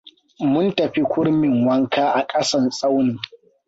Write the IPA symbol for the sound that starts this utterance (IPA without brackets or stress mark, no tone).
m